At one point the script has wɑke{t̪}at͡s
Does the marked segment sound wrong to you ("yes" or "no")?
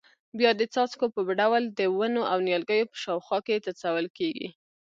no